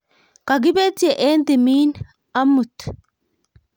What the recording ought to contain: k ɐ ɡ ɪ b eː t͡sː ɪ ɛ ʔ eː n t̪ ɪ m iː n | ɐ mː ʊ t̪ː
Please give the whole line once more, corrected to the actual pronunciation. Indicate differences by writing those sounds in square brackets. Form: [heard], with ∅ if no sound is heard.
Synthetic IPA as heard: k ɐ ɡ ɪ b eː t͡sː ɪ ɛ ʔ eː n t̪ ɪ m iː n | ɐ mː ʊ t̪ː